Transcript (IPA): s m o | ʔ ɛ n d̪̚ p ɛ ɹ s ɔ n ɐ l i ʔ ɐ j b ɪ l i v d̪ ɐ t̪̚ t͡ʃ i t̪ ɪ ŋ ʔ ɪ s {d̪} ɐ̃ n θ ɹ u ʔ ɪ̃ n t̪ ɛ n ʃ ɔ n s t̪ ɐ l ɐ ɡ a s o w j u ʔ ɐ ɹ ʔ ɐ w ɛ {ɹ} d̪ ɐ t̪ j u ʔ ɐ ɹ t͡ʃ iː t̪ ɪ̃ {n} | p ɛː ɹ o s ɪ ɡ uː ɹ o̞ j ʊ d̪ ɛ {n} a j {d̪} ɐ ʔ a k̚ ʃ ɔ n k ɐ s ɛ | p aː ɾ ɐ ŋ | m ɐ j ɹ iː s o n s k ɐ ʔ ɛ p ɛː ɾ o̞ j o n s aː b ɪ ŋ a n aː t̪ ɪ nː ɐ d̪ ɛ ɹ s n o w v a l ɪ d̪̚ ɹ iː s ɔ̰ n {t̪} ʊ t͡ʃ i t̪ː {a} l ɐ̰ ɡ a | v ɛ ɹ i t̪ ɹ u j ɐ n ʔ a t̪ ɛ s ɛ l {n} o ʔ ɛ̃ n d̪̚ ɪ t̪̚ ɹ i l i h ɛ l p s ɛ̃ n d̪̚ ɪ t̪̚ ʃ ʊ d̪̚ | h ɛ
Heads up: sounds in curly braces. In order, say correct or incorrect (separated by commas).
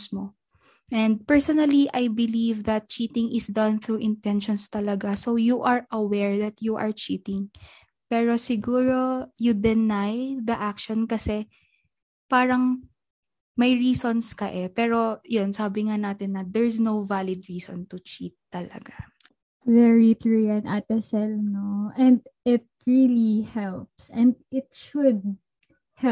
correct, correct, incorrect, correct, correct, correct, incorrect, correct